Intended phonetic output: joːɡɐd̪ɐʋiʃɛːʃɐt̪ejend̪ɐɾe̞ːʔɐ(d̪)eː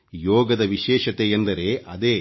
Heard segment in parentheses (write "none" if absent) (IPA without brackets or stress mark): d̪